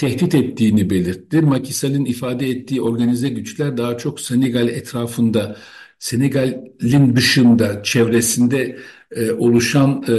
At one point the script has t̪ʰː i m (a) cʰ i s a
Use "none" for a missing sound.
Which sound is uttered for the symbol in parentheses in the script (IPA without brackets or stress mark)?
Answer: a